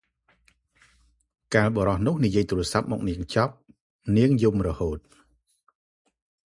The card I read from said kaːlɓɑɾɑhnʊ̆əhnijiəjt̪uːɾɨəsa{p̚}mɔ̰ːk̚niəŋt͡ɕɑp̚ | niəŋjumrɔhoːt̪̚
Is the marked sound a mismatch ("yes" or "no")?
no